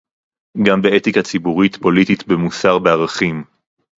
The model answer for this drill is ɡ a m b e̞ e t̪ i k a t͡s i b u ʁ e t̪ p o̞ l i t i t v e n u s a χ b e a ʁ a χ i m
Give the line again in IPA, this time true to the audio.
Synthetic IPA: ɡ a m b e̞ e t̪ i k a t͡s i b u ʁ i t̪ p o̞ l i t i t b e m u s a ʁ b e a ʁ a χ i m

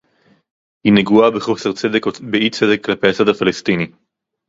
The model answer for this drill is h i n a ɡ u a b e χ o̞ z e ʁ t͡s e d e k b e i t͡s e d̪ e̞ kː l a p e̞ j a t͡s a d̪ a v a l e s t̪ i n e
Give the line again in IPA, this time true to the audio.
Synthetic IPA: h i n e ɡ u a b e χ o̞ s e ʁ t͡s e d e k b e i t͡s e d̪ e̞ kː l a p e̞ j a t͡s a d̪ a f a l e s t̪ i n i

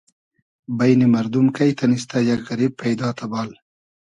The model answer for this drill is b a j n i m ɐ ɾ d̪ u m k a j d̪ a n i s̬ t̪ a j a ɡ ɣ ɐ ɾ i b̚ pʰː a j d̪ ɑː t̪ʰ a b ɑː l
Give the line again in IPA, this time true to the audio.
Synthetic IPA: b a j n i m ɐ ɾ d̪ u m k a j t̪ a n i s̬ t̪ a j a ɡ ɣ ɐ ɾ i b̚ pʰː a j d̪ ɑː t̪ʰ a b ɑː l

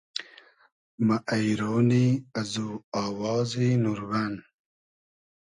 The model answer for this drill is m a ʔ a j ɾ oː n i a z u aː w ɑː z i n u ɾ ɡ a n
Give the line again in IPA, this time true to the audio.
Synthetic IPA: m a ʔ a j ɾ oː n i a z u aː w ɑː z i n u ɾ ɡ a n

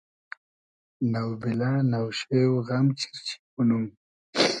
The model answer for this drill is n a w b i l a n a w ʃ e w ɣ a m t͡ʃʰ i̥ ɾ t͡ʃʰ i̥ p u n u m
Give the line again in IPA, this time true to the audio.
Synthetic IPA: n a w b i l a n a w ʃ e w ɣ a m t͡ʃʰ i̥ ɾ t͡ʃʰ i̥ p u n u m

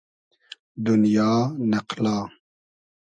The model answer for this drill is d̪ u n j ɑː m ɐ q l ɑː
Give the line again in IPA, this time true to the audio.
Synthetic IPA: d̪ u n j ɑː n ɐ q l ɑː

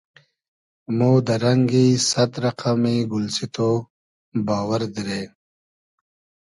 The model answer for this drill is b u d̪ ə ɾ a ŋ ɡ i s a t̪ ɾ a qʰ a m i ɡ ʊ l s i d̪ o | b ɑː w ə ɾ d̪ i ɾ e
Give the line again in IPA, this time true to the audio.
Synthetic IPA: m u d̪ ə ɾ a ŋ ɡ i s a t̪ ɾ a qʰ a m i ɡ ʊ l s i t̪ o | b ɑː w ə ɾ d̪ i ɾ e

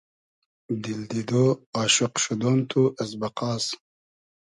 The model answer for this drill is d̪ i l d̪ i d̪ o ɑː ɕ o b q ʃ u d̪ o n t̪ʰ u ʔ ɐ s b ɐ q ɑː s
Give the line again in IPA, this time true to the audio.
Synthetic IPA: d̪ i l d̪ i d̪ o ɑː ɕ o q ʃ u d̪ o n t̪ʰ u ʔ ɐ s b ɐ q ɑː s

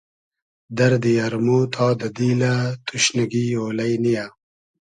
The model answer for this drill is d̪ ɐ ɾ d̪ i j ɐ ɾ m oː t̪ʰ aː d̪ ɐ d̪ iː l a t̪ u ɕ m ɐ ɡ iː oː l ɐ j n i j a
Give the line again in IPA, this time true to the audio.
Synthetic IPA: d̪ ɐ ɾ d̪ i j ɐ ɾ m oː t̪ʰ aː d̪ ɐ d̪ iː l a t̪ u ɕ n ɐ ɡ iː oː l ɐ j n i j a

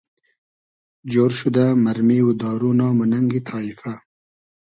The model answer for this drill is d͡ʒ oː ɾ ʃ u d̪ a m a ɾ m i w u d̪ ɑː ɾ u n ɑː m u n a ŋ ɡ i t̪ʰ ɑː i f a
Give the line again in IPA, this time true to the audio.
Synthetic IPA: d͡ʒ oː ɾ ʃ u d̪ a m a ɾ m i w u d̪ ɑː ɾ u n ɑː m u n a ŋ ɡ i t̪ʰ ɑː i f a

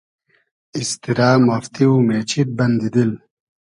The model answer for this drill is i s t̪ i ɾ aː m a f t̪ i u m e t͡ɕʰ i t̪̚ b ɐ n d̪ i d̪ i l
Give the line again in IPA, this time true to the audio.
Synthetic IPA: i s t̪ i ɾ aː m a f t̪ i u m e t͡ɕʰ i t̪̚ b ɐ n d̪ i d̪ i l

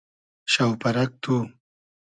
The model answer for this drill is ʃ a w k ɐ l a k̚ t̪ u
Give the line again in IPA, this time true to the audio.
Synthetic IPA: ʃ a w p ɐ ɾ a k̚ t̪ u

